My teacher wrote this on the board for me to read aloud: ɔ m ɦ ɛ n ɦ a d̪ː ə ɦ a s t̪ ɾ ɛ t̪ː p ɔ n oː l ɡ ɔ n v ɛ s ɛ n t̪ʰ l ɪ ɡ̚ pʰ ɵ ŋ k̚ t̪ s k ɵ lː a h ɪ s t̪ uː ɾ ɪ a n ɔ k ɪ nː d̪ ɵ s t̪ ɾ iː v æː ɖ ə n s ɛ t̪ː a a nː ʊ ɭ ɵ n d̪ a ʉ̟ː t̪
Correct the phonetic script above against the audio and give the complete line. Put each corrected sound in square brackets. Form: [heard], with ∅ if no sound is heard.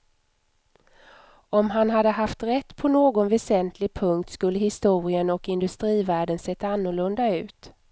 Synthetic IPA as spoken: ɔ m ɦ [a] n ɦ a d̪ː ə ɦ a [f] t̪ ɾ ɛ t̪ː [pʰ] ɔ n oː [∅] ɡ ɔ n v ɛ s ɛ n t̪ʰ l ɪ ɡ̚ pʰ ɵ ŋ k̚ t̪ s k ɵ lː [ə] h ɪ s t̪ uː ɾ ɪ [ə] n ɔ k ɪ [n] d̪ ɵ s t̪ ɾ iː v æː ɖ ə n s ɛ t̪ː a a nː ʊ ɭ ɵ n d̪ a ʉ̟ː t̪

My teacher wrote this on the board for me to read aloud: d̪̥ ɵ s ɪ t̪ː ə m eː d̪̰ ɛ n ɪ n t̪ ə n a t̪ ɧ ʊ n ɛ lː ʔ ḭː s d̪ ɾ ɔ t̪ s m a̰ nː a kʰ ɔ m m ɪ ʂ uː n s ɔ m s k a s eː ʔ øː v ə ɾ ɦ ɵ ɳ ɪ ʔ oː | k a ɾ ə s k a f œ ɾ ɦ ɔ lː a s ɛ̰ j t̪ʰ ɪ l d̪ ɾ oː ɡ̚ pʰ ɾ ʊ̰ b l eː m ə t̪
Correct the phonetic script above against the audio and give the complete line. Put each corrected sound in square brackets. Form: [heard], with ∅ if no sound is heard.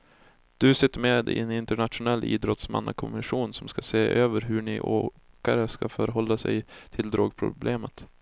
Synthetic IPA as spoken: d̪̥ ɵ s ɪ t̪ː ə m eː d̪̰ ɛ n ɪ n t̪ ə [ɳ] a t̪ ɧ ʊ n ɛ lː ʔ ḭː [∅] d̪ ɾ ɔ t̪ s m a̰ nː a kʰ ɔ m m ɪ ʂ uː n s ɔ m s k a s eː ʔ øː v ə ɾ ɦ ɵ ɳ ɪ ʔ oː | k a ɾ ə s k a f œ ɾ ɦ ɔ lː a s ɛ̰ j t̪ʰ ɪ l d̪ ɾ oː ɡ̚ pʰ ɾ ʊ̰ b l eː m ə t̪

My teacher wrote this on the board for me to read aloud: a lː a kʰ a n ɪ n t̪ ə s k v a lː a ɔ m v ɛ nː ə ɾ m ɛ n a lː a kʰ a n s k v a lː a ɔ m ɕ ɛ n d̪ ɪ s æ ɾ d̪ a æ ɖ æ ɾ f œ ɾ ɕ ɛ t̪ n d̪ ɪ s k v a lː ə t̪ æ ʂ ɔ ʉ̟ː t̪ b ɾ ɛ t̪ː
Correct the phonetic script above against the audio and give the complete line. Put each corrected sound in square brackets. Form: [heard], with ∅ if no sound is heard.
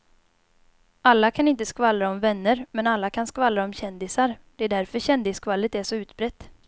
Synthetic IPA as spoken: a lː a kʰ a n ɪ n t̪ ə s k v a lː a ɔ m v ɛ nː ə ɾ m ɛ n a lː a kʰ a n s k v a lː a ɔ m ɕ ɛ n d̪ ɪ s [a] ɾ d̪ [ɛ] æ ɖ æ ɾ f œ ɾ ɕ ɛ [∅] n d̪ ɪ s k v a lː ə t̪ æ ʂ ɔ ʉ̟ː t̪ b ɾ ɛ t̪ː

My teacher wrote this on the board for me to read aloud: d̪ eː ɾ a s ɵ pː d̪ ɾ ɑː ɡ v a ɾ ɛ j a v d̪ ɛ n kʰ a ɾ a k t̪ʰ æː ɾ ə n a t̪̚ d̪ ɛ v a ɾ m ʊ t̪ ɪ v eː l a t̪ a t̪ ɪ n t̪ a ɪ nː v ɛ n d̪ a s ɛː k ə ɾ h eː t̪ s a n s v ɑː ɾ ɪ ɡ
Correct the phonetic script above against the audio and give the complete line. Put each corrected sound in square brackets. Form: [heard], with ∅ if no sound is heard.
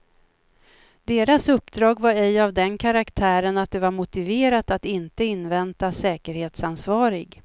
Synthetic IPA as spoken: d̪ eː ɾ a s ɵ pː d̪ ɾ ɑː ɡ v a ɾ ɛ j a v d̪ ɛ n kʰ a ɾ a k t̪ʰ æː ɾ ə n a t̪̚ d̪ ɛ v a ɾ m ʊ t̪ ɪ v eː [ɾ] a t̪ a t̪ ɪ n t̪ [ə] ɪ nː v ɛ n [t̪] a s ɛː k ə ɾ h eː t̪ s a n s v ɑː ɾ ɪ ɡ

